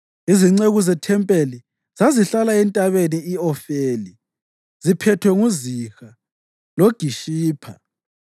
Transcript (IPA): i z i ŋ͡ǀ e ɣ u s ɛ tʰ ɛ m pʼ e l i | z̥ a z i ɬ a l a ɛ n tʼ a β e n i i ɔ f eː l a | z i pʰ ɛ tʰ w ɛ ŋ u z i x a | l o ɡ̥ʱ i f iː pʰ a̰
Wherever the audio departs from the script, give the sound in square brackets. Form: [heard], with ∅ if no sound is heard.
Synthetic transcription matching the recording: i z i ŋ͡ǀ e ɣ u [z] ɛ tʰ ɛ m pʼ e l i | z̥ a z i ɬ a l a ɛ n tʼ a β e n i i ɔ f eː l [i] | z i pʰ ɛ tʰ w ɛ ŋ u z i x a | l o ɡ̥ʱ i [ʃ] iː pʰ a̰